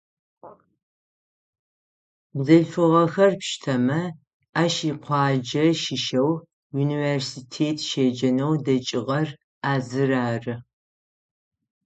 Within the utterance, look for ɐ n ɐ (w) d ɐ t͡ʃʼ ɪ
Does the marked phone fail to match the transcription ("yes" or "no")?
no